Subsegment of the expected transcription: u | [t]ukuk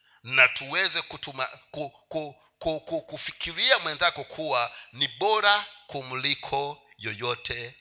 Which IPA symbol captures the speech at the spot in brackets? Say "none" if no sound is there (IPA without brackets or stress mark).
k